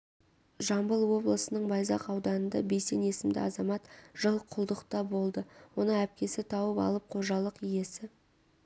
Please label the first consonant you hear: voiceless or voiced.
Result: voiced